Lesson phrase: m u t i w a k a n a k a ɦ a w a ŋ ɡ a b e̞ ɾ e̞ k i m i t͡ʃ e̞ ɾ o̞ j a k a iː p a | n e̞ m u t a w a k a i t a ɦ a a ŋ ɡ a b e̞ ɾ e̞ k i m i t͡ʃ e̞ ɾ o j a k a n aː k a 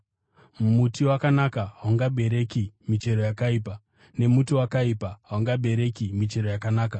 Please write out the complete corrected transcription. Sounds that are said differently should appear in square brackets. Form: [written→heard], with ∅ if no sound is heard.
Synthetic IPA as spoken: m u t i w a k a n a k a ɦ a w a ŋ ɡ a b e̞ ɾ e̞ k i m i t͡ʃ e̞ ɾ o̞ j a k a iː p a | n e̞ m u t [a→i] w a k a i [t→p] a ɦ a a ŋ ɡ a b e̞ ɾ e̞ k i m i t͡ʃ e̞ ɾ o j a k a n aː k a